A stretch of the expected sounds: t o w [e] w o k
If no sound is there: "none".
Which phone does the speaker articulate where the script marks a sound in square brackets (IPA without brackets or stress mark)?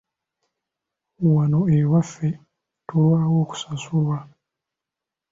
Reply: a